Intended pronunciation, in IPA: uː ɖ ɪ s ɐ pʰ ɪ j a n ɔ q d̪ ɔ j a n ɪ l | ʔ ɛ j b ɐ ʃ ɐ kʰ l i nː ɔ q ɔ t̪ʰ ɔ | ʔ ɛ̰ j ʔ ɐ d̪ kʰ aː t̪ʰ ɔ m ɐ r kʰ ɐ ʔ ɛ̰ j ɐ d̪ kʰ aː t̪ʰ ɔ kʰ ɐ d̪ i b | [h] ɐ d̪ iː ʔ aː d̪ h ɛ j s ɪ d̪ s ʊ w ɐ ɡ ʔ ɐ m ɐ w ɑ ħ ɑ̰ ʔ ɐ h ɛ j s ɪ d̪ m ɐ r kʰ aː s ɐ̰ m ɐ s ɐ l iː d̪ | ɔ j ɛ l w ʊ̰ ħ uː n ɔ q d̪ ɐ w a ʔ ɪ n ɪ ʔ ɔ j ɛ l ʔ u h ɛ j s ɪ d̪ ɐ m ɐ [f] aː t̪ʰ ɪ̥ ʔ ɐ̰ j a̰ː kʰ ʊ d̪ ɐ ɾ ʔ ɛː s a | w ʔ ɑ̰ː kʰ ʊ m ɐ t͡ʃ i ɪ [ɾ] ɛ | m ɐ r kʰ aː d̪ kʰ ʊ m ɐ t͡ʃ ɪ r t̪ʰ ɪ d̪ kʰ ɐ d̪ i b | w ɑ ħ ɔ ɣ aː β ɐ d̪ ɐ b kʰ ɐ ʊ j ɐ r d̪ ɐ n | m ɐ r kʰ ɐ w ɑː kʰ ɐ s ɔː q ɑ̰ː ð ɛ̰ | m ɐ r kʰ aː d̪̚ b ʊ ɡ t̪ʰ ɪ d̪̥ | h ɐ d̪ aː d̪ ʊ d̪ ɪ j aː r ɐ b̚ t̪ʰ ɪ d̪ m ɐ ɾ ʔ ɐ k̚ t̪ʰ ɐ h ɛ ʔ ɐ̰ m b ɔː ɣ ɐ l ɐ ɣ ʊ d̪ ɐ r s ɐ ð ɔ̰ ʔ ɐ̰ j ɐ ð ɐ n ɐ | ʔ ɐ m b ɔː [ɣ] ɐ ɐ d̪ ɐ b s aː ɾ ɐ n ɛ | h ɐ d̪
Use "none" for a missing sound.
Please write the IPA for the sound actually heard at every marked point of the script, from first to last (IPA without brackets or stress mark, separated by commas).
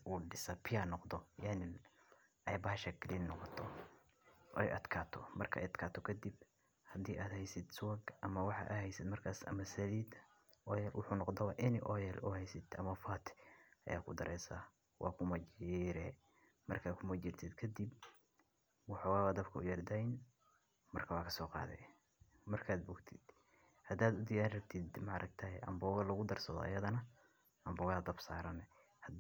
h, f, ɾ, ɣ